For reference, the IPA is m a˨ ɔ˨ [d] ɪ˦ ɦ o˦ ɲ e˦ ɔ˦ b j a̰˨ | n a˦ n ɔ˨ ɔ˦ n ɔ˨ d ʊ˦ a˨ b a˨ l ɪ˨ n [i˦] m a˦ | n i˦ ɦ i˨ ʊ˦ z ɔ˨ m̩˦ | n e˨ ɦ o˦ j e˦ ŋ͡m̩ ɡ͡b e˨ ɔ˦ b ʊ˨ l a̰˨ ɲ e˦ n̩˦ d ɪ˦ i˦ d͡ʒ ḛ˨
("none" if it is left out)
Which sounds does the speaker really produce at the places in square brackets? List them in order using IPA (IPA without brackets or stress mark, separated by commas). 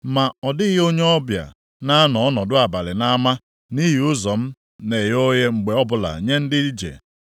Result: d, a˦